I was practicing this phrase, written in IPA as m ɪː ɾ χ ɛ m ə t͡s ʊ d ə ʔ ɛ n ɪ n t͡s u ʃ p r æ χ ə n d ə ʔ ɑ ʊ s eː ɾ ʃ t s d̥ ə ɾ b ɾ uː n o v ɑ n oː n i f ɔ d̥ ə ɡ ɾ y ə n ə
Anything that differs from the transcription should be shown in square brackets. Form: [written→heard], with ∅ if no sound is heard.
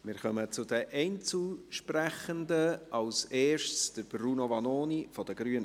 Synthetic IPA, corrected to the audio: m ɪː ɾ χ [ɛ→œ] m ə t͡s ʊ d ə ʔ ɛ [n→∅] ɪ n t͡s u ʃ p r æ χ ə n d ə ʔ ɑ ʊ s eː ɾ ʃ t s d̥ ə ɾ b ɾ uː n o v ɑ n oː n i f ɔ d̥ ə ɡ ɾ y ə n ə